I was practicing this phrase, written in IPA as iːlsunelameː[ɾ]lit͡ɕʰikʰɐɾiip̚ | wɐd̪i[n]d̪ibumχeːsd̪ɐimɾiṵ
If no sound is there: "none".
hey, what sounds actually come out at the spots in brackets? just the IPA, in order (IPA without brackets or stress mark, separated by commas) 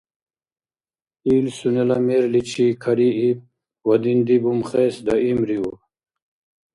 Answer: ɾ, n